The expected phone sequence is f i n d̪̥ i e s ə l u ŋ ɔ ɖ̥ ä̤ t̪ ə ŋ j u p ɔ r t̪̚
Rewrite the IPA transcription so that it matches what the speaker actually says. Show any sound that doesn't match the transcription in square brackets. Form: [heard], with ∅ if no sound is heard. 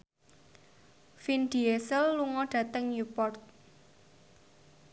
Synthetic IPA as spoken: f i n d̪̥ i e s ə [lː] u ŋ ɔ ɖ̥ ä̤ t̪ ə ŋ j u p ɔ r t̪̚